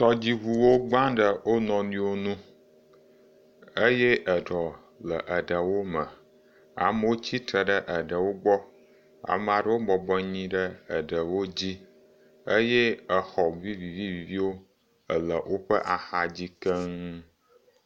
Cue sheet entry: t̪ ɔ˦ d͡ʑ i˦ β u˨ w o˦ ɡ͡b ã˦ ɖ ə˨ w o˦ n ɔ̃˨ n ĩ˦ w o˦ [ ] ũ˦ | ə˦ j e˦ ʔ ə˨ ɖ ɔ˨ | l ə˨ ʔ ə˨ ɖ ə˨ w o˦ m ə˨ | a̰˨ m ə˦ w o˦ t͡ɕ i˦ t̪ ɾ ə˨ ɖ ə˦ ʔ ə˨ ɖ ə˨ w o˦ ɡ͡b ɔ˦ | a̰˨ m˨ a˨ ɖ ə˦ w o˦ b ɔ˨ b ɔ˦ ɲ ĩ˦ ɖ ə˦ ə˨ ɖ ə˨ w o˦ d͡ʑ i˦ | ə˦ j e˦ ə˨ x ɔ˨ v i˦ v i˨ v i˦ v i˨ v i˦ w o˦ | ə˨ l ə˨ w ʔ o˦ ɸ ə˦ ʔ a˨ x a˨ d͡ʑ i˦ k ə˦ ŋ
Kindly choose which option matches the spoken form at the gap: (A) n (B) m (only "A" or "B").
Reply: A